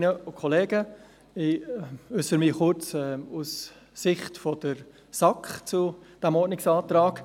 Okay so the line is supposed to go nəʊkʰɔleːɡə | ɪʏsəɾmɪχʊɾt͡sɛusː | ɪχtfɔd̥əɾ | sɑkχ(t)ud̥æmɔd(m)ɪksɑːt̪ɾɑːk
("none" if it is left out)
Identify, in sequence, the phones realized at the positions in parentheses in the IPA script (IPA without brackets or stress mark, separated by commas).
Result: t͡s, n